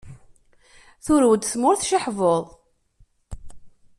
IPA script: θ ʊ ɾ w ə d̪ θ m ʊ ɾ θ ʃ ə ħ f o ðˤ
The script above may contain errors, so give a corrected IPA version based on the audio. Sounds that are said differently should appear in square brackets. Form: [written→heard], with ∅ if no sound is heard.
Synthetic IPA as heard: θ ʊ ɾ w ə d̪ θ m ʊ ɾ θ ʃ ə ħ [f→v] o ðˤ